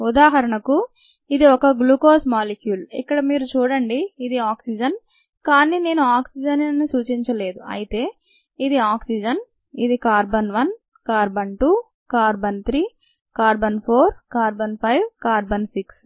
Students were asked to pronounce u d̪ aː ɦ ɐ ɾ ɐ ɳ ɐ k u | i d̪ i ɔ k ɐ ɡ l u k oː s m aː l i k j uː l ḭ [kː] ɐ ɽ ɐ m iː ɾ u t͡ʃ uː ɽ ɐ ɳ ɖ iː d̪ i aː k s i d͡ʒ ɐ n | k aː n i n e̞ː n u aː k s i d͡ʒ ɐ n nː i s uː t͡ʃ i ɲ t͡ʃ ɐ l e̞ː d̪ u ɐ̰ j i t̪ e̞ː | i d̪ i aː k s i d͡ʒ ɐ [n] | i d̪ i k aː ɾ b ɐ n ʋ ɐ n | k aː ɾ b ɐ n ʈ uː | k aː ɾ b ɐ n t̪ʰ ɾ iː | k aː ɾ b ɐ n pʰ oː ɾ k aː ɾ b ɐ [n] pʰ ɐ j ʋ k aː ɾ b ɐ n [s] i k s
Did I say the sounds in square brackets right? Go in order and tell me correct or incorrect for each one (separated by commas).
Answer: correct, correct, correct, correct